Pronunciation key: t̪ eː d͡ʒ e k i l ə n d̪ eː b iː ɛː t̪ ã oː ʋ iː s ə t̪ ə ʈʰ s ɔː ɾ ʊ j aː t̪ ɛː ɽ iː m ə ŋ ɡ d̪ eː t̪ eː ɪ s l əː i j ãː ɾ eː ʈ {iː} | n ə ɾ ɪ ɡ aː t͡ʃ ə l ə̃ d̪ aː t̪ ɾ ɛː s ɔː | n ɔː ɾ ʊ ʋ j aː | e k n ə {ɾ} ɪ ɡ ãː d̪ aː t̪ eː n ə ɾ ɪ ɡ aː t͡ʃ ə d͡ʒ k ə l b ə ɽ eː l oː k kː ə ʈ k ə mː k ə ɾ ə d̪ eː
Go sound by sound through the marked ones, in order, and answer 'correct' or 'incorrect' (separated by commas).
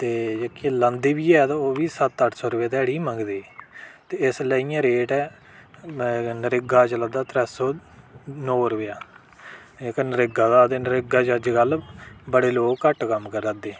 incorrect, correct